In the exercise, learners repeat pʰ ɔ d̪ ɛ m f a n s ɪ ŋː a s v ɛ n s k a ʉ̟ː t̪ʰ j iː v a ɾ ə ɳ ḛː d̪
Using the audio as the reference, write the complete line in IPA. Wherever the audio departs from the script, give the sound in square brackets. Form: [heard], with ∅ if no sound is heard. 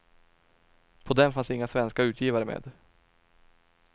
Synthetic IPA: pʰ ɔ d̪ ɛ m f a n s ɪ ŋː a s v ɛ n s k a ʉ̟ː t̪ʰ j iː v a ɾ ə [m] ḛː d̪